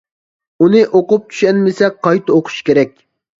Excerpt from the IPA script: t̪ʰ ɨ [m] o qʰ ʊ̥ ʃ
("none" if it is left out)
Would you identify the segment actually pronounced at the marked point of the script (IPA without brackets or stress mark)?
none